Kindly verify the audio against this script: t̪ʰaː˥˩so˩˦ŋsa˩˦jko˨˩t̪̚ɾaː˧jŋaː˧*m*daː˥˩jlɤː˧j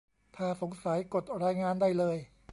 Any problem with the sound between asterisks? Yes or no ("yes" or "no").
yes